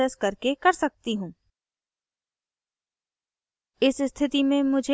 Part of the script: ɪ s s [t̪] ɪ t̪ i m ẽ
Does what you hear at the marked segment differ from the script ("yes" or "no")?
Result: yes